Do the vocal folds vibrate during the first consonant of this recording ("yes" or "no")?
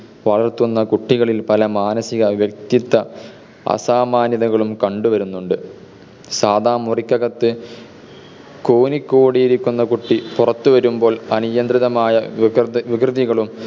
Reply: yes